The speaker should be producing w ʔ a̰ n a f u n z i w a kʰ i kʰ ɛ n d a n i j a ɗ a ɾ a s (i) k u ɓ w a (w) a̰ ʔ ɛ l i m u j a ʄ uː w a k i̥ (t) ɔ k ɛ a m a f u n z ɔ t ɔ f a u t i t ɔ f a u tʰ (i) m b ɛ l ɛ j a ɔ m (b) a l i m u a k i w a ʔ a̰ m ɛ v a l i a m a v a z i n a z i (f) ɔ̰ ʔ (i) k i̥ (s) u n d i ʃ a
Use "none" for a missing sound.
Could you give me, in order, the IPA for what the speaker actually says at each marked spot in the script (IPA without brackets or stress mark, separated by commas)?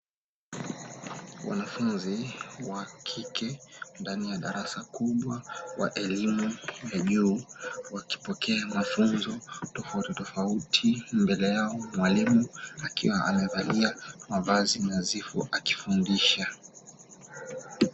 a, w, p, i, w, f, a, f